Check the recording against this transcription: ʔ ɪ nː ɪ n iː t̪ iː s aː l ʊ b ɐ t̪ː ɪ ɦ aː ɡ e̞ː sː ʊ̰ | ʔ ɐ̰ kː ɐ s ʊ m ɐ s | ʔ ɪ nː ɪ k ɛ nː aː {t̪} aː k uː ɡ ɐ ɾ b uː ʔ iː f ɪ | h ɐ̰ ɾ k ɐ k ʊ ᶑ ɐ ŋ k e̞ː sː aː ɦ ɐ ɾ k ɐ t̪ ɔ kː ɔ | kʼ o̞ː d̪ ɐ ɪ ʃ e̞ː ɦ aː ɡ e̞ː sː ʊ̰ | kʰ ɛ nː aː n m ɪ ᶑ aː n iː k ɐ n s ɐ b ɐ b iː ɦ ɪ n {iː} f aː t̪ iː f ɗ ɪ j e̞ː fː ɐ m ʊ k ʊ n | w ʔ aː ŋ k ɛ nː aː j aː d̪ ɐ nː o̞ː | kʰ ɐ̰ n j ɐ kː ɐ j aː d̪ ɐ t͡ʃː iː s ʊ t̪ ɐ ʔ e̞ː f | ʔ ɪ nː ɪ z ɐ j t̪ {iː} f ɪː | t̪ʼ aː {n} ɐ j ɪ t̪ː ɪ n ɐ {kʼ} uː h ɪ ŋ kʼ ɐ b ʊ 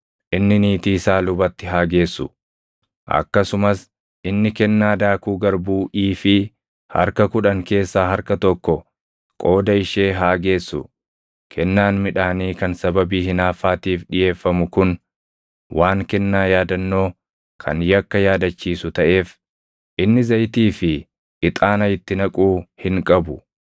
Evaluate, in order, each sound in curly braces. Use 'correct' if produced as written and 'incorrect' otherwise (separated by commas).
incorrect, incorrect, correct, correct, correct